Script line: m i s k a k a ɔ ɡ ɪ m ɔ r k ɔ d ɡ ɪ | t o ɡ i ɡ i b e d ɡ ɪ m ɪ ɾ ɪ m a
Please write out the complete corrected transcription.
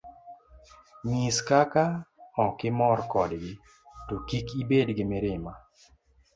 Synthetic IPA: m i s k a k a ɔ k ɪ m ɔ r k ɔ d ɡ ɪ | t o k i k i b e d ɡ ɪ m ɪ ɾ ɪ m a